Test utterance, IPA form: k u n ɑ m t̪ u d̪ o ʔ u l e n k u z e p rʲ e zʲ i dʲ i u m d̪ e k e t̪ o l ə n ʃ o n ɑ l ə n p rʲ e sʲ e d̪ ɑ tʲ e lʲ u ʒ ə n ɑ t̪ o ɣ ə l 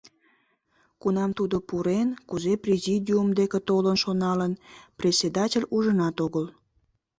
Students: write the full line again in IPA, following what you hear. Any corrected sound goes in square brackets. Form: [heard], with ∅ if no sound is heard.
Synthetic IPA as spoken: k u n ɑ m t̪ u d̪ o [p] u [ɾ] e n k u z e p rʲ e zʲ i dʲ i u m d̪ e k e t̪ o l ə n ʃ o n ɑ l ə n p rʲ e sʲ e d̪ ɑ tʲ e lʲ u ʒ ə n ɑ t̪ o ɣ ə l